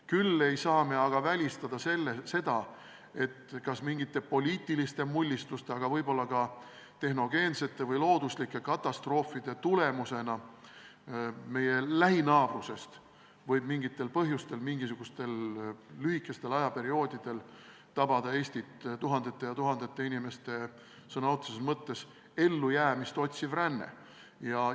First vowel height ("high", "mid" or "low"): high